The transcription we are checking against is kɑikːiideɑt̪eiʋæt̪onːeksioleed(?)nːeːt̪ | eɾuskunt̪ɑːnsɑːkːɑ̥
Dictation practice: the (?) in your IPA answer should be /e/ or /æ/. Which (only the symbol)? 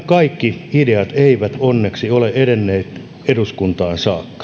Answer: e